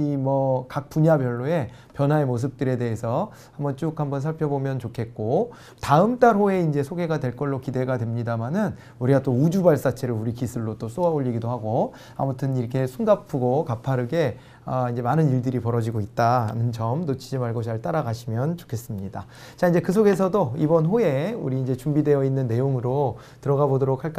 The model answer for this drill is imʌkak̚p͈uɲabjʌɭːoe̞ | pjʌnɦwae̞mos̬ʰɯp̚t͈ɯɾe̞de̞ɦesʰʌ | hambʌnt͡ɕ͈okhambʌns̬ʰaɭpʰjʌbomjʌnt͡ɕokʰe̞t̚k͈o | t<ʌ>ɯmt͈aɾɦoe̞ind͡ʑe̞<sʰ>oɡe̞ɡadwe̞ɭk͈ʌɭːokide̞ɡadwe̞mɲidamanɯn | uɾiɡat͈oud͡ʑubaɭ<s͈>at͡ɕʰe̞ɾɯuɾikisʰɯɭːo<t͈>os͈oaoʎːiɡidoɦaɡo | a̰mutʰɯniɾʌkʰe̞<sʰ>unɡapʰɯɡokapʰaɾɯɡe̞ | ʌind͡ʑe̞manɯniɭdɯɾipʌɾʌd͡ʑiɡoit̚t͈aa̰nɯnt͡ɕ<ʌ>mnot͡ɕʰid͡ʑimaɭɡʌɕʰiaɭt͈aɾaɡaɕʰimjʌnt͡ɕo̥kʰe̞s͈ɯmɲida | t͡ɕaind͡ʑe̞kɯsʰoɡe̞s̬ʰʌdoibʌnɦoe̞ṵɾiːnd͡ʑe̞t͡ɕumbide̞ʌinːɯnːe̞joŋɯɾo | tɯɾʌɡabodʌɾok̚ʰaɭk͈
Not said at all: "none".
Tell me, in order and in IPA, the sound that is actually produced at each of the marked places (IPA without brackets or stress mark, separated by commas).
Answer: a, sʰ, s͈, t͈, sʰ, ʌ